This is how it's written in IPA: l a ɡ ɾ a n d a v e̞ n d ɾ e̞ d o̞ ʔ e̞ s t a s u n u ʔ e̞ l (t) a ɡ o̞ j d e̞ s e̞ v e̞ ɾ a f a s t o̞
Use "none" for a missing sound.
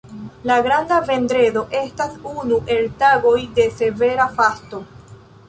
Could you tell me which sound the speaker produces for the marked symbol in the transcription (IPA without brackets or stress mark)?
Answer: t